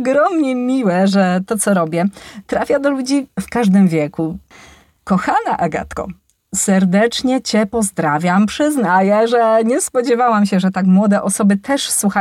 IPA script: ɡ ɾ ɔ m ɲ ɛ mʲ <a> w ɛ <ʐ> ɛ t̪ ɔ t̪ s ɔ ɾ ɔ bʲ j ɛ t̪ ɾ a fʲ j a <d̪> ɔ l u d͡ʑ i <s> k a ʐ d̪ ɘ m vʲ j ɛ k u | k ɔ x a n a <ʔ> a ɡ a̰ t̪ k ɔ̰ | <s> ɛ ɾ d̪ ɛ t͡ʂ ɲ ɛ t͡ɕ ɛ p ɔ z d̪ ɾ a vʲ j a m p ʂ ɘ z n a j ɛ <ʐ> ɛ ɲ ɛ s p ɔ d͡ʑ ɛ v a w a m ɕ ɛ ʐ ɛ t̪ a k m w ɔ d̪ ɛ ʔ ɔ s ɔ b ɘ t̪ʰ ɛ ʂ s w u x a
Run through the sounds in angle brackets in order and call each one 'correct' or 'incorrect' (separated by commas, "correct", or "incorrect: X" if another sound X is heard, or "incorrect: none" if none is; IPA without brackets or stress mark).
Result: incorrect: i, correct, correct, incorrect: f, correct, correct, correct